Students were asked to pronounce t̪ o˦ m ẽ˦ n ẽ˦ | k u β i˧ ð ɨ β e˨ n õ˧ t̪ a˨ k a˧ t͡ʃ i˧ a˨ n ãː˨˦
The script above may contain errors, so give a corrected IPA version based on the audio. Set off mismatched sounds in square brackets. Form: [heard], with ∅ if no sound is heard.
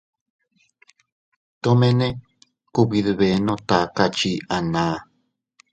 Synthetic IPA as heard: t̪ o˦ m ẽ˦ n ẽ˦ | k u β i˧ ð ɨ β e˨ n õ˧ t̪ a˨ k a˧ t͡ʃ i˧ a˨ n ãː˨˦